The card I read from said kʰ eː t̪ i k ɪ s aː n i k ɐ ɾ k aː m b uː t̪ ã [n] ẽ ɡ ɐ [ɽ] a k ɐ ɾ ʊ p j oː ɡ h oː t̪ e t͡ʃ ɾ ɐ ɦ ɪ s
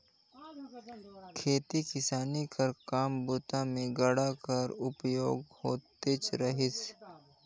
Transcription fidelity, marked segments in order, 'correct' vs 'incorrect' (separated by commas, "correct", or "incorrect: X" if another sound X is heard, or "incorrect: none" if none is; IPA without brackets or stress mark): incorrect: m, correct